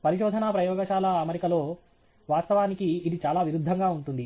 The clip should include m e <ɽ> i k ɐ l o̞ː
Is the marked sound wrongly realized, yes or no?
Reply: yes